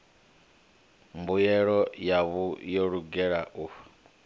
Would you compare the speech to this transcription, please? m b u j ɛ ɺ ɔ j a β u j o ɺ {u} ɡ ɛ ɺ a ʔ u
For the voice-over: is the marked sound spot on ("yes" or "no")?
yes